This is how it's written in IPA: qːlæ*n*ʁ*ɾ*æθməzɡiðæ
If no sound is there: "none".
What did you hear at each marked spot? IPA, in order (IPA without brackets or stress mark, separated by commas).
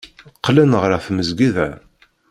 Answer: n, ɾ